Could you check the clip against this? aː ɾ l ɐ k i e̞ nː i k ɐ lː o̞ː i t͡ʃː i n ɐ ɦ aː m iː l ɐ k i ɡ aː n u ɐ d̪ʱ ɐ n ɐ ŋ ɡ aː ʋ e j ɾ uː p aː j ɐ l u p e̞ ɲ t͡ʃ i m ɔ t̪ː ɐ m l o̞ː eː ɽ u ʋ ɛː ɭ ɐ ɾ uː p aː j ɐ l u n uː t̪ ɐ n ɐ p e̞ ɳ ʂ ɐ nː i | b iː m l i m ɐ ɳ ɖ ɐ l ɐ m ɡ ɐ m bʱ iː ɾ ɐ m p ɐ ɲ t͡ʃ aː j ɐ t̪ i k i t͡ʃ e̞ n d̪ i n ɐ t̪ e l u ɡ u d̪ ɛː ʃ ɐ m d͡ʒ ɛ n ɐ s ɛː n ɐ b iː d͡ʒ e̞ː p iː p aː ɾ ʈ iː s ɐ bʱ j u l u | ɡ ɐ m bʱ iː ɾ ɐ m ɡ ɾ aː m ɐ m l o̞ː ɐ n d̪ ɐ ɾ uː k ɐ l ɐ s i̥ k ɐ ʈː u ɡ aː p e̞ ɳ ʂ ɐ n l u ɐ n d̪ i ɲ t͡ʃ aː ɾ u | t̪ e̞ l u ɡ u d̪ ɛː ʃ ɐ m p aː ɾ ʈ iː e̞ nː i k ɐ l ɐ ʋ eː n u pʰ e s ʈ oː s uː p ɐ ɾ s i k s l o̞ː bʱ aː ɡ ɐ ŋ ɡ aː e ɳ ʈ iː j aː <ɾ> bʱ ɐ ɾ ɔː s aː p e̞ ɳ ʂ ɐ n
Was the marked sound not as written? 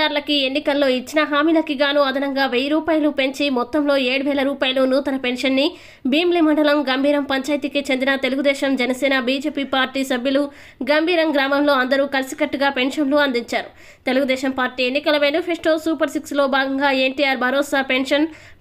no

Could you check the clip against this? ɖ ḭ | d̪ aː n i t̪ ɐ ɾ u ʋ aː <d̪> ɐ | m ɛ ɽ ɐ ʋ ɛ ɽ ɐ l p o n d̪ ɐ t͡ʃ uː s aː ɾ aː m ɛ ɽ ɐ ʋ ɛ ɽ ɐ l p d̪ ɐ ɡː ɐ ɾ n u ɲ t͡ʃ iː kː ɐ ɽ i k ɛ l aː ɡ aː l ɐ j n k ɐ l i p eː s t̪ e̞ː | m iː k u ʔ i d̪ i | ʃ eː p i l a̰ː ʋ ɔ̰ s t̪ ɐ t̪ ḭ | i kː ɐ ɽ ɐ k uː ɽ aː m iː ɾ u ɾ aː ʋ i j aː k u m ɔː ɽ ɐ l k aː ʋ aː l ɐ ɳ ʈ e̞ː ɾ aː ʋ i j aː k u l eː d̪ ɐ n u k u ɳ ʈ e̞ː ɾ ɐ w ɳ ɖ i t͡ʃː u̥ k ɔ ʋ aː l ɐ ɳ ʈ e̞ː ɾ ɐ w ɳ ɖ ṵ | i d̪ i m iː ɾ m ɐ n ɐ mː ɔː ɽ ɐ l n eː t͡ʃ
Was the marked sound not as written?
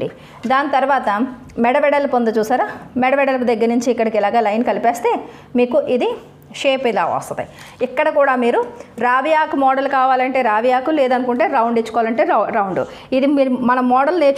yes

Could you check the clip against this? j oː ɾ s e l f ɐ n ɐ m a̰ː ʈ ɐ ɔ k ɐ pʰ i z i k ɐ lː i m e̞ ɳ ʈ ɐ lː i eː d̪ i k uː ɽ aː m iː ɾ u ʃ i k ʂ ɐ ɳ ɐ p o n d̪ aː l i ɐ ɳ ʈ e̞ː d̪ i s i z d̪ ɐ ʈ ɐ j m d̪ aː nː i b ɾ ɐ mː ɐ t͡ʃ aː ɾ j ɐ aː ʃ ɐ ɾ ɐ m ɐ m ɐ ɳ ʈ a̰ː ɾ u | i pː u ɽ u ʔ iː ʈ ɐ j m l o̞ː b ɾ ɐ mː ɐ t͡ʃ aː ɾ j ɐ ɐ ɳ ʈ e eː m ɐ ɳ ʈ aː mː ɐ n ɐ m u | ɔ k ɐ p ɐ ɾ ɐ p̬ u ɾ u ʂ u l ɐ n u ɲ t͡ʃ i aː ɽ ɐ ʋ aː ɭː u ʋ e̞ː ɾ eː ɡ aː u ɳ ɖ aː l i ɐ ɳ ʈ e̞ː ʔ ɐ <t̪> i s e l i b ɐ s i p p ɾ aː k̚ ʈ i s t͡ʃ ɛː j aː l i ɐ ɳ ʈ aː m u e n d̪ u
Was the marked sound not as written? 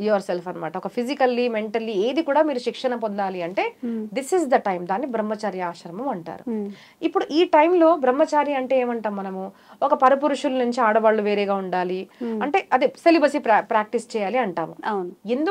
yes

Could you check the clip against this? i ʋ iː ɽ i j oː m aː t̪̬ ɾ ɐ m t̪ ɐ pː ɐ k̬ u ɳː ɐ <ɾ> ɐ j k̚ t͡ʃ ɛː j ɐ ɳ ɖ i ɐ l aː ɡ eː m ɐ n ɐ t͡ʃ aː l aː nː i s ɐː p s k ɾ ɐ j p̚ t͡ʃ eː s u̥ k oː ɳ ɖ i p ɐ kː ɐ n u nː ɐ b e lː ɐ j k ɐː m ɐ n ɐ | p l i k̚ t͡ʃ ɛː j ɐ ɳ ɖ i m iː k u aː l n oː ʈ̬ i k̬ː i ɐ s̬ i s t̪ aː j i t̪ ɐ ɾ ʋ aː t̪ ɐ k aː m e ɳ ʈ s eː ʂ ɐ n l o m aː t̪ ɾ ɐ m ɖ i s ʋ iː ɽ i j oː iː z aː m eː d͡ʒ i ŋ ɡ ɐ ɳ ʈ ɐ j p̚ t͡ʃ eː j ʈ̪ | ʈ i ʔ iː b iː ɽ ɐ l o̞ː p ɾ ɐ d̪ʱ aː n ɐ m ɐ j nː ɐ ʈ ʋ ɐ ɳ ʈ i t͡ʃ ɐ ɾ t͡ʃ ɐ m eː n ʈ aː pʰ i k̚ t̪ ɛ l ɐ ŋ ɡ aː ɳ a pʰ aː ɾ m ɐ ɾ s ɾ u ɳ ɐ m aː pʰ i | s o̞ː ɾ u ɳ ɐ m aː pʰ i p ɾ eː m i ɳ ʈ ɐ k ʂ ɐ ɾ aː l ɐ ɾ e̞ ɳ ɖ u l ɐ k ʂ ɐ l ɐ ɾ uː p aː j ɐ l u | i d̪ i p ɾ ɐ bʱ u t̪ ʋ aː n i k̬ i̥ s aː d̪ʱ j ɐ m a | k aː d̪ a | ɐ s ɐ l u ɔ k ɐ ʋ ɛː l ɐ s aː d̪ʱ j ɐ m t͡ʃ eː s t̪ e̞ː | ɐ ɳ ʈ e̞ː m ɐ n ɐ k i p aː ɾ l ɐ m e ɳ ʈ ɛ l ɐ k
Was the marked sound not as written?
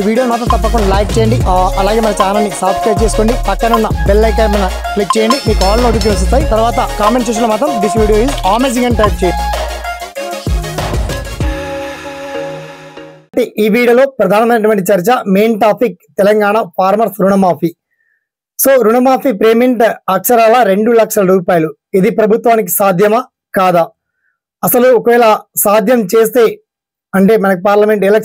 yes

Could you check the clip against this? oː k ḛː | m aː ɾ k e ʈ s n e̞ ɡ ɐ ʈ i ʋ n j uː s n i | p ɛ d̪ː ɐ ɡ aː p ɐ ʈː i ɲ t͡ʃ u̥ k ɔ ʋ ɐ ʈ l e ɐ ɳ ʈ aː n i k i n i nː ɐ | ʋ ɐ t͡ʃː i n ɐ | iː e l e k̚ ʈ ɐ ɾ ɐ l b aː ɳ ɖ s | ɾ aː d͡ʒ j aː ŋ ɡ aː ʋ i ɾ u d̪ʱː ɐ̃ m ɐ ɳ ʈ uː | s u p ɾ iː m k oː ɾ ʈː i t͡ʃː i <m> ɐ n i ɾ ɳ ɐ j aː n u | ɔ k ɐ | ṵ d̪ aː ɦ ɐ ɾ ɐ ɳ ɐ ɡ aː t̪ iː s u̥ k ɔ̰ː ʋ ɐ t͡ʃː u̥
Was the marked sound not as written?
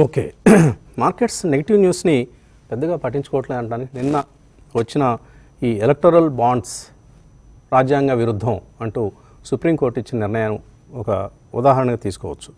yes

